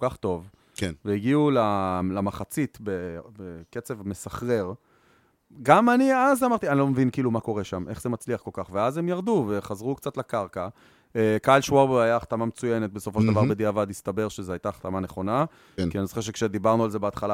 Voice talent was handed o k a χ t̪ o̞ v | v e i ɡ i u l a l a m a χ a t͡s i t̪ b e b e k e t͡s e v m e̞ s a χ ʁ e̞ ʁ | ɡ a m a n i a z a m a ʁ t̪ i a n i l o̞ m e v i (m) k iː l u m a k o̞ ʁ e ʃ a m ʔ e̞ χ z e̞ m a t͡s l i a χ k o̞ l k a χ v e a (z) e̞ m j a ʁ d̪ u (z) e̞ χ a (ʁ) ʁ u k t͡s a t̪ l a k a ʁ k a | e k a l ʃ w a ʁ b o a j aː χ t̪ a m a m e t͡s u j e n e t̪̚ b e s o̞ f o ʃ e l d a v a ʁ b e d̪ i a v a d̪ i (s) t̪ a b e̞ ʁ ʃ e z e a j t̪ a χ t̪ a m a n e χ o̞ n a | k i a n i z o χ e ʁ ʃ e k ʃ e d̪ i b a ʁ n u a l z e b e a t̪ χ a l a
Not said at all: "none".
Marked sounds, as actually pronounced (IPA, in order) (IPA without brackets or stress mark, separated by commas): n, z, v, z, s